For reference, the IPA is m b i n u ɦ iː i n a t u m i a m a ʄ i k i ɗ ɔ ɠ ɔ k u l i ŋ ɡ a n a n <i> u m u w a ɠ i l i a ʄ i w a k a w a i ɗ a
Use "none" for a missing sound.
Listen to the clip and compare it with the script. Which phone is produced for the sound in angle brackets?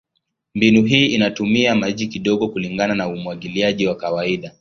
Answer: a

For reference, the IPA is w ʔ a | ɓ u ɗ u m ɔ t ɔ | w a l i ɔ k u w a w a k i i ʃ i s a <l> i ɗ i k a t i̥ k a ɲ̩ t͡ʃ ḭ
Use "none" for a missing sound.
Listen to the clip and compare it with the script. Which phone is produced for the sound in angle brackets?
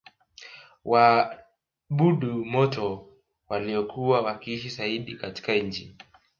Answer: none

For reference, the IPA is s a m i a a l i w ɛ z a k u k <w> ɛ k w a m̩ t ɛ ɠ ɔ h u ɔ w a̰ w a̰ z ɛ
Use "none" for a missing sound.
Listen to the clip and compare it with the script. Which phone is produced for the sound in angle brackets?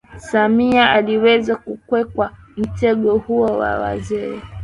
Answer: w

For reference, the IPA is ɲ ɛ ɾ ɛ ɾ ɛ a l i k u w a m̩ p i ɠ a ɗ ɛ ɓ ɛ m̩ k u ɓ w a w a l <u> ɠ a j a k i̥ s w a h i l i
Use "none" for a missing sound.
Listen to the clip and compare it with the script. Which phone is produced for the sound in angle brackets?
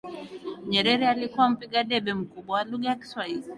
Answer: u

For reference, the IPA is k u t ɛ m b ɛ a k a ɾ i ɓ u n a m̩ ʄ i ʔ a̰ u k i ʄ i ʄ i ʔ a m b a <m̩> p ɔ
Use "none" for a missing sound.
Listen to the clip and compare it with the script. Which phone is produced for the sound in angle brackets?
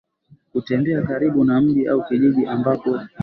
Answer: none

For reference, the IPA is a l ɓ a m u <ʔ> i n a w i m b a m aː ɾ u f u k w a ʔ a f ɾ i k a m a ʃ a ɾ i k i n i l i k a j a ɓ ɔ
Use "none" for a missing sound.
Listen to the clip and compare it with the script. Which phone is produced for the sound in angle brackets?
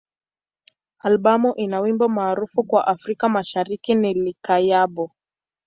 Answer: ʔ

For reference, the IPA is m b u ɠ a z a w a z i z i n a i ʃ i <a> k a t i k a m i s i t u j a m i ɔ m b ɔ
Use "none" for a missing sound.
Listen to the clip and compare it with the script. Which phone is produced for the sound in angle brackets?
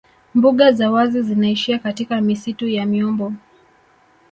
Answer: a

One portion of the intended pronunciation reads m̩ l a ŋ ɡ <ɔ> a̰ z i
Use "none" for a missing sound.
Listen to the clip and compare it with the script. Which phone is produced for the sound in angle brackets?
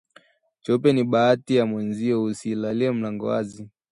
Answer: ɔ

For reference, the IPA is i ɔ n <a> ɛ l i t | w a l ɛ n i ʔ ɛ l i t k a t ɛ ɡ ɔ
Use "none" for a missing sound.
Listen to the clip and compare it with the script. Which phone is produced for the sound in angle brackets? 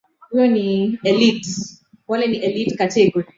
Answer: i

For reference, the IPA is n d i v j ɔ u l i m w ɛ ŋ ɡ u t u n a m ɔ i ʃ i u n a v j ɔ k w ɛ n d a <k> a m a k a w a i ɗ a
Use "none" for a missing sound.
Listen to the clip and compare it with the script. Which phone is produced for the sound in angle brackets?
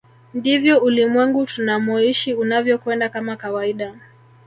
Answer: k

